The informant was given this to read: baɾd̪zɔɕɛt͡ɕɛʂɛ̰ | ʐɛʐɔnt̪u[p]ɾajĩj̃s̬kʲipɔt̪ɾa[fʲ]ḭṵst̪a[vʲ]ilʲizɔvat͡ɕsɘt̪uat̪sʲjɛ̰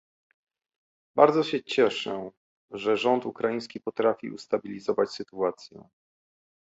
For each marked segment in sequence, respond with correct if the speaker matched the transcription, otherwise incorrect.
incorrect: k, correct, incorrect: bʲ

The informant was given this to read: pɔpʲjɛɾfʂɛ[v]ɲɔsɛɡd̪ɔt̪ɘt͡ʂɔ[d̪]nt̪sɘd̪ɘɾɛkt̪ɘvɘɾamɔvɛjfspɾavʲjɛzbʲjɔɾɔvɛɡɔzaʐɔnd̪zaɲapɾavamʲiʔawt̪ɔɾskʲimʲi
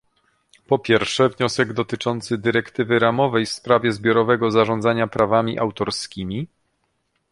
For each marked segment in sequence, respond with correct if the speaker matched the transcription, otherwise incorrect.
correct, incorrect: none

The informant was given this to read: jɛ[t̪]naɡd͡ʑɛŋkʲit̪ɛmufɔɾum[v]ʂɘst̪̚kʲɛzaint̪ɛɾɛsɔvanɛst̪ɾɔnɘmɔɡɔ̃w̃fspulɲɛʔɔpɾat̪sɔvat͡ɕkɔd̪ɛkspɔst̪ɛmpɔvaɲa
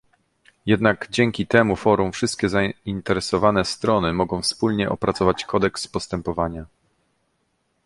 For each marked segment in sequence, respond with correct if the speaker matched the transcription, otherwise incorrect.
incorrect: d̪, incorrect: f

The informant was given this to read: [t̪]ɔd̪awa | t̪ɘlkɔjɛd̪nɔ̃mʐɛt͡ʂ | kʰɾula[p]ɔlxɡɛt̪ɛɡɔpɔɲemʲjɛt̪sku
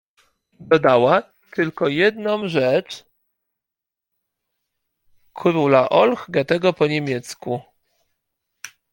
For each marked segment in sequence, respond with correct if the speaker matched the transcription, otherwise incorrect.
incorrect: d̪, incorrect: ʔ

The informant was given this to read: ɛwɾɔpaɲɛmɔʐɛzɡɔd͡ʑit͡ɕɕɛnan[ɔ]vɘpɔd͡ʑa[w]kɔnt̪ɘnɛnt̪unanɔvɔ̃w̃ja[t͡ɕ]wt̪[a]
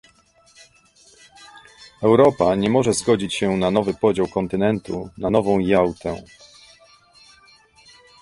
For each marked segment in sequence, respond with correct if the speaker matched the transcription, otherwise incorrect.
correct, correct, incorrect: none, incorrect: ɛ

